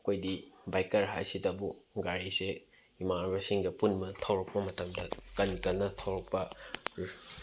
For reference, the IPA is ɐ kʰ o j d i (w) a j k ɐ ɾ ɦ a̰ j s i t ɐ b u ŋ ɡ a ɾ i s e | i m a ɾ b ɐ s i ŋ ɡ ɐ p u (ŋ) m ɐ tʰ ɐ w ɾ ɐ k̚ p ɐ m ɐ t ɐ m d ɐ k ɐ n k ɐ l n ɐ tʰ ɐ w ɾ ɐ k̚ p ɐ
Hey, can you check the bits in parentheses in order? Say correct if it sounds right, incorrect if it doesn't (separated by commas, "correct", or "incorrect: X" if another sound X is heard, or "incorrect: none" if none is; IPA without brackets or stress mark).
incorrect: b, incorrect: n